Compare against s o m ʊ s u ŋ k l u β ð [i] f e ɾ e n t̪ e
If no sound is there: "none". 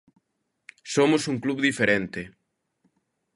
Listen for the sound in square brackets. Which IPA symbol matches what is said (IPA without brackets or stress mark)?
i